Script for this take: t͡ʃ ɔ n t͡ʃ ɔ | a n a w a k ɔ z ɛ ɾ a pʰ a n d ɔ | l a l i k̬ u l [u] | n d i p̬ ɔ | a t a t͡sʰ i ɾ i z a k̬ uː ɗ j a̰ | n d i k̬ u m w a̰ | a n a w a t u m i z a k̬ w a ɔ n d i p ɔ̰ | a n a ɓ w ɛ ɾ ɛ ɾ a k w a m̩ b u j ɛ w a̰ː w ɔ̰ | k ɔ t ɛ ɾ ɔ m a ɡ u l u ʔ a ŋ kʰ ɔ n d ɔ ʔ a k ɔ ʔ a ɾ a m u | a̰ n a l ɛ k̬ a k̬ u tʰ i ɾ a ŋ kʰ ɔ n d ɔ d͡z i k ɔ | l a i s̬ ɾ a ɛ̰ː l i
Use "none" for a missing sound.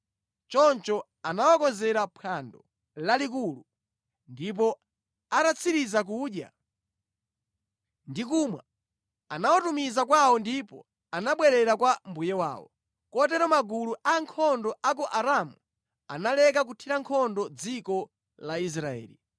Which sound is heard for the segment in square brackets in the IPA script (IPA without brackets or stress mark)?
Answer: u